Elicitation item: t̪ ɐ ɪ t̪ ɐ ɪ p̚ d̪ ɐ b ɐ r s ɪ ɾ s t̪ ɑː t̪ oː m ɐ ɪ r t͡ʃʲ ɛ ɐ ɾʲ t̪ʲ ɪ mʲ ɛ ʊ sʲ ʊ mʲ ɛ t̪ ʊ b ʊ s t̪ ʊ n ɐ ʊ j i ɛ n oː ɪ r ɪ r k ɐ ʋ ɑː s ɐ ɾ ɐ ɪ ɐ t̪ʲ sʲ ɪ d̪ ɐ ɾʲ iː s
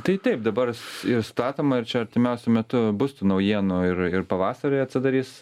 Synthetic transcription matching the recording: t̪ ɐ ɪ t̪ ɐ ɪ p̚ d̪ ɐ b ɐ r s ɪ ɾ s t̪ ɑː t̪ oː m ɐ ɪ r t͡ʃʲ ɛ ɐ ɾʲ t̪ʲ ɪ mʲ ɛ ʊ sʲ ʊ mʲ ɛ t̪ ʊ b ʊ s t̪ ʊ n ɐ ʊ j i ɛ n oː ɪ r ɪ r p ɐ ʋ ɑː s ɐ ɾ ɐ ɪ ɐ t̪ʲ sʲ ɪ d̪ ɐ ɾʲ iː s